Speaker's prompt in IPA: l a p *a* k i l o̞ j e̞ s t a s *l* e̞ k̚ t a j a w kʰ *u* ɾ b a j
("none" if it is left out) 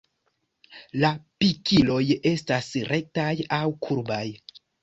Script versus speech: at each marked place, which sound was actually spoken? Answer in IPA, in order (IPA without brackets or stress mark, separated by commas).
i, ɾ, u